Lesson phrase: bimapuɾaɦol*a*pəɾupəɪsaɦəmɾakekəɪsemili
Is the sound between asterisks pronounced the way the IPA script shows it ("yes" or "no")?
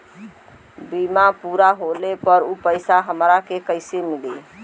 no